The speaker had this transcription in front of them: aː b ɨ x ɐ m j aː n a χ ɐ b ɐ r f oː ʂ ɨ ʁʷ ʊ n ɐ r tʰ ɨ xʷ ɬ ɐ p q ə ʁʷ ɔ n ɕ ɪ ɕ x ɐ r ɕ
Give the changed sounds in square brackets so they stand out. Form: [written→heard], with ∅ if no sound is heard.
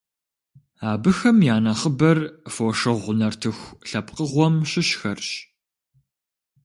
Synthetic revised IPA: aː b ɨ x ɐ m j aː n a χ [ɐ→ə] b ɐ r f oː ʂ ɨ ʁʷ ʊ n ɐ r tʰ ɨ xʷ ɬ ɐ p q ə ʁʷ ɔ [n→m] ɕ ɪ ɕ x ɐ r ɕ